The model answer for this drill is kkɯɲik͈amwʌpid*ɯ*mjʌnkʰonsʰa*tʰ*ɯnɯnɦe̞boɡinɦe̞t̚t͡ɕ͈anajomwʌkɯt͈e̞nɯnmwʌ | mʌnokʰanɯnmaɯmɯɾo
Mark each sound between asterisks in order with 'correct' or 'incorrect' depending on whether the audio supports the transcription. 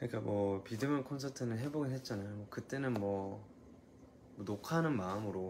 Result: correct, correct

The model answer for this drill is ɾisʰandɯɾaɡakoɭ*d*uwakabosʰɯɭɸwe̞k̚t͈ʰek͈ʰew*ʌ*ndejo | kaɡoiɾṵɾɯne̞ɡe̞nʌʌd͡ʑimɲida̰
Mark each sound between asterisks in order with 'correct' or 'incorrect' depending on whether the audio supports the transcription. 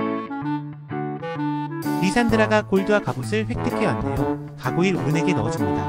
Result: correct, incorrect: a

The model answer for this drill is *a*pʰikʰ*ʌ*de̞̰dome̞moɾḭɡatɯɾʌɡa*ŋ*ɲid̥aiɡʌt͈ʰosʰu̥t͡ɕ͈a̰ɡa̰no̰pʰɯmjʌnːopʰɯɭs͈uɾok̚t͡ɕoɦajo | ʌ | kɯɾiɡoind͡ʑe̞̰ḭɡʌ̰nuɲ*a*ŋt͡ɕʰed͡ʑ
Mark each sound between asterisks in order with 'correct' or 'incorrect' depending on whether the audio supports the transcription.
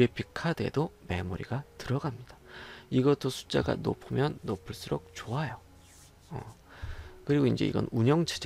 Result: incorrect: e, incorrect: a, incorrect: m, incorrect: ʌ

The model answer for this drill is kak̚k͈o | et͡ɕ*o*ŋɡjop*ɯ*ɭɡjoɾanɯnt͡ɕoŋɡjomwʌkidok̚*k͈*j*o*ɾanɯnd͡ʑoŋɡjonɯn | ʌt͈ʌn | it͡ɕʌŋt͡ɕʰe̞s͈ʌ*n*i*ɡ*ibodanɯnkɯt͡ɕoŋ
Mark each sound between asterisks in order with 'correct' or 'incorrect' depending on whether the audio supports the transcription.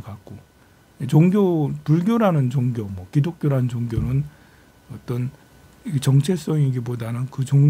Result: correct, incorrect: u, correct, correct, incorrect: ŋ, correct

